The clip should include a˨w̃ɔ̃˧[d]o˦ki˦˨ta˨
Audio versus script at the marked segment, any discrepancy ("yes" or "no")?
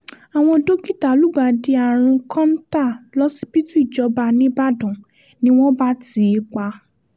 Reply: no